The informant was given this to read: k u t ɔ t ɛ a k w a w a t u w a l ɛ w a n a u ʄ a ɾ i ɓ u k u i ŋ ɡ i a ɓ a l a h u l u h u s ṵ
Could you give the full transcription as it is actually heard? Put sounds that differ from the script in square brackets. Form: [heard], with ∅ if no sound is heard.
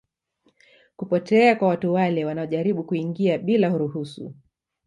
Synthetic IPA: k u [p] ɔ t ɛ a k w a w a t u w a l ɛ w a n a [ɔ] ʄ a ɾ i ɓ u k u i ŋ ɡ i a ɓ [i] l a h u [ɾ] u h u s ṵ